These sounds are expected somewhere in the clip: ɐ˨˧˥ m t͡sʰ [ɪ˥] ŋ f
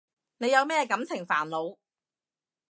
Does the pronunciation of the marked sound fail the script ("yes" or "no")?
yes